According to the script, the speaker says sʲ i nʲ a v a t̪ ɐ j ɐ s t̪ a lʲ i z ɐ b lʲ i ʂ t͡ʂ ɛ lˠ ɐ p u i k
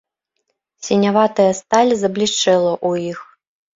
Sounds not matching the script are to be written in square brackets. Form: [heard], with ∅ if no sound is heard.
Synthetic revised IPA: sʲ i nʲ a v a t̪ ɐ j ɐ s t̪ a lʲ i z ɐ b lʲ i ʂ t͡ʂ ɛ lˠ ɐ [ʔ] u i [x]